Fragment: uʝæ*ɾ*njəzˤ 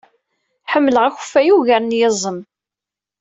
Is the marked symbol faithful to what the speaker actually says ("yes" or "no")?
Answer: yes